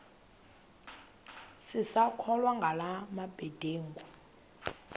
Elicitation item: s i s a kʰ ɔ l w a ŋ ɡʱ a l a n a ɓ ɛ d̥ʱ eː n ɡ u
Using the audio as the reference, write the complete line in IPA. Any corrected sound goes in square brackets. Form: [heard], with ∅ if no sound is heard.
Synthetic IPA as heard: s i s a kʰ ɔ l w a ŋ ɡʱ a l a [m] a [b] ɛ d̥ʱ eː [ŋ] ɡ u